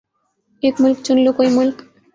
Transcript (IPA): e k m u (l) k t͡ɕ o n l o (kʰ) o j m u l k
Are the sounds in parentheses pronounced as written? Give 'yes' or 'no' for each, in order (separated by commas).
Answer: yes, no